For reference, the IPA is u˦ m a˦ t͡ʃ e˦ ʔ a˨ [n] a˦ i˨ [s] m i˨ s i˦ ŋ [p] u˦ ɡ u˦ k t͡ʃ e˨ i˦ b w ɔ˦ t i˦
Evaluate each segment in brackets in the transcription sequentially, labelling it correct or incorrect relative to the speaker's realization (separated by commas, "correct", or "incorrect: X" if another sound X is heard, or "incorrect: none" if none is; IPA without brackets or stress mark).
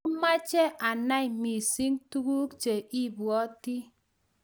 correct, incorrect: none, incorrect: t